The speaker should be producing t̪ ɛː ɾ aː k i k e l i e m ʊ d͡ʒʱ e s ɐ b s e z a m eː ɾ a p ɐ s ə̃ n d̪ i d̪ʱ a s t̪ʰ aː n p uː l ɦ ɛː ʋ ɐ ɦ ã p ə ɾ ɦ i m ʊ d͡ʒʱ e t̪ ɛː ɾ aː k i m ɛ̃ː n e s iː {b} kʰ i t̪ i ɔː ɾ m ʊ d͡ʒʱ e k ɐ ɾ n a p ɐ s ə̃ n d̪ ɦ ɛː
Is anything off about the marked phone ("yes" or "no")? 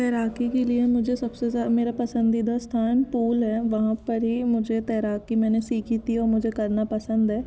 yes